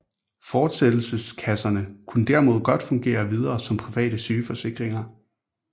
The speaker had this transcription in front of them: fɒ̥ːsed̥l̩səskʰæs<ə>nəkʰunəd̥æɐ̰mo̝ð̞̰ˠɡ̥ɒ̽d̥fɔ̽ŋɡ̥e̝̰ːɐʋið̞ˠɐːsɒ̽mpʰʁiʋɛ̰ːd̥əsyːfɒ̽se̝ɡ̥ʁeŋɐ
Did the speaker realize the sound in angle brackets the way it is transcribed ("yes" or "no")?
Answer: no